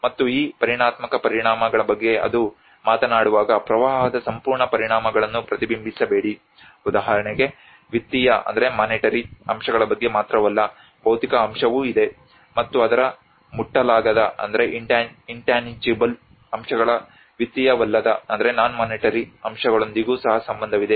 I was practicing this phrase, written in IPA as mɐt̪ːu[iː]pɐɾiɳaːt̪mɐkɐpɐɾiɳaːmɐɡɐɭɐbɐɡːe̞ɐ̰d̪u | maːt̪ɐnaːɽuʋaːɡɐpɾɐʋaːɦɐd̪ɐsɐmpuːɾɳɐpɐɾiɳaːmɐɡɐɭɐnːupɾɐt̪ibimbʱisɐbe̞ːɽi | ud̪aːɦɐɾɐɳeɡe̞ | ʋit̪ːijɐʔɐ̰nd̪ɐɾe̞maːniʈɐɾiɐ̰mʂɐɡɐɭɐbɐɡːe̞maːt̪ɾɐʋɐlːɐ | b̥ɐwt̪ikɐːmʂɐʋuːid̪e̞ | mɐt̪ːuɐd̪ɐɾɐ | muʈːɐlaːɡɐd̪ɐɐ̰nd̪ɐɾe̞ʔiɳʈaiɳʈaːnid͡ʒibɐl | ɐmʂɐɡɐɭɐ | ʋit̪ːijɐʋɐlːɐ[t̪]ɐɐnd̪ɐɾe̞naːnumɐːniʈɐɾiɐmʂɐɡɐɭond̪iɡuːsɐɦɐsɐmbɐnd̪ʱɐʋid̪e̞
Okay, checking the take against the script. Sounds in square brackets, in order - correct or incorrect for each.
correct, incorrect: d̪

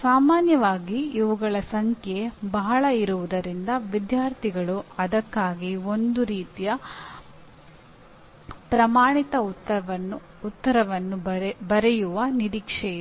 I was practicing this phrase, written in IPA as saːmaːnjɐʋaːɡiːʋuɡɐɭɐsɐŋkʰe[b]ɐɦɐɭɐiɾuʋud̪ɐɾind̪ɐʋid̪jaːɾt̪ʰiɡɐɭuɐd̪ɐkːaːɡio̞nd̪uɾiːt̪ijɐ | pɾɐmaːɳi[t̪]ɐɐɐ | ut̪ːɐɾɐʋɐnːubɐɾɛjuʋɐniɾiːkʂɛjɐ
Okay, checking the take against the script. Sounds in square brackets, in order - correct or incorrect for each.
correct, correct

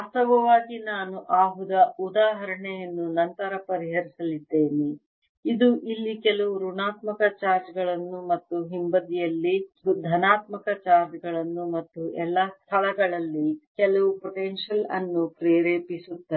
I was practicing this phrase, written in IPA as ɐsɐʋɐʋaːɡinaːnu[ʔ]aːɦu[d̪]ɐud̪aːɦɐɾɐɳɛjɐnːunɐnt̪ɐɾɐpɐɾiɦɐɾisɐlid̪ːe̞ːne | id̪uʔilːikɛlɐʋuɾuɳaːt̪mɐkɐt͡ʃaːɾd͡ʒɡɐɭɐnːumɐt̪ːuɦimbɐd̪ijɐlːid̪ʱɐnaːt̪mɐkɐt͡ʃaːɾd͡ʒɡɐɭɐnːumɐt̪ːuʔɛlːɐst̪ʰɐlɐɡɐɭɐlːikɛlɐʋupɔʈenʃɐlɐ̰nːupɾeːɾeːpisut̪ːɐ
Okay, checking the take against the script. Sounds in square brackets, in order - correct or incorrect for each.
correct, correct

